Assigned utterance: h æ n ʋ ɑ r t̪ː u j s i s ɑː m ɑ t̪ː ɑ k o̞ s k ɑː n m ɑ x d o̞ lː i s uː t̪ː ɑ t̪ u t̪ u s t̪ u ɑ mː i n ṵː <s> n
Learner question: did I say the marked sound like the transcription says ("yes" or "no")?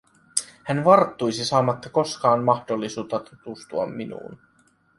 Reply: no